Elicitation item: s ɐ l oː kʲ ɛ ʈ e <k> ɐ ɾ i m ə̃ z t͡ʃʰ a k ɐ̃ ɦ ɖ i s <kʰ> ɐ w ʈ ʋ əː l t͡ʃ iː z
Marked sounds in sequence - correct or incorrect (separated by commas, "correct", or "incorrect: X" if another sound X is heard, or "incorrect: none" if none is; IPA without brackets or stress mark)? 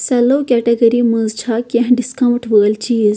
incorrect: ɡ, incorrect: k